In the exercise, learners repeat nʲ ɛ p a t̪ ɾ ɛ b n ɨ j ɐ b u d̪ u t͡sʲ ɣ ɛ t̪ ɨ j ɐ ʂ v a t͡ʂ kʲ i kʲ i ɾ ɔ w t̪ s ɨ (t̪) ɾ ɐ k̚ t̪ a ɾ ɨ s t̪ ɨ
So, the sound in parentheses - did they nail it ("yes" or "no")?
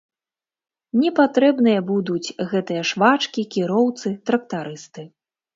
yes